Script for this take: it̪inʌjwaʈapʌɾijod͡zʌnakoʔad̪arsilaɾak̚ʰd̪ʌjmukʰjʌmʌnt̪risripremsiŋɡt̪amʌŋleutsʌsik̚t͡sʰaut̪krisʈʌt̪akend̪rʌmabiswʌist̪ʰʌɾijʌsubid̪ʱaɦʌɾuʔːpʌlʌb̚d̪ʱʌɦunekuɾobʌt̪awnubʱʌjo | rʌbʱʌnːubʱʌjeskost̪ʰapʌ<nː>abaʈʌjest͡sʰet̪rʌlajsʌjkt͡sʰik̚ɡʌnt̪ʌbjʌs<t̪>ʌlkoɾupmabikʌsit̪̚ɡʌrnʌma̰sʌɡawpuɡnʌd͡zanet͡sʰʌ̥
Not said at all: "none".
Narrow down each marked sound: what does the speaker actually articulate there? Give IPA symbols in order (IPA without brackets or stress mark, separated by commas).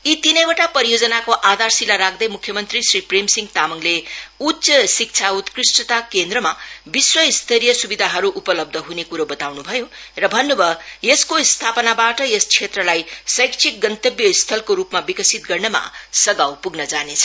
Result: n, t̪ʰ